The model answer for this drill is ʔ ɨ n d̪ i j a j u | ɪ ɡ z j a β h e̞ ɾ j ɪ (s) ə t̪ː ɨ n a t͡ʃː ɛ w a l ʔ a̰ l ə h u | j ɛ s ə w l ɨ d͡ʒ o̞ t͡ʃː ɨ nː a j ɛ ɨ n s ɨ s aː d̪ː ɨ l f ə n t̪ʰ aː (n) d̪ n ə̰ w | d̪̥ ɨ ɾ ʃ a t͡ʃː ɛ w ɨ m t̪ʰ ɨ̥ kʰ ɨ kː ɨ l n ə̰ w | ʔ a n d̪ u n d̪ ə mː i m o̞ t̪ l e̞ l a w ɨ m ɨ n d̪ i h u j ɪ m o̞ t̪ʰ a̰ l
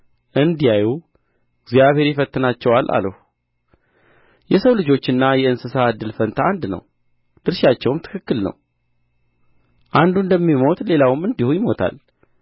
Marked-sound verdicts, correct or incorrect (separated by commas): incorrect, correct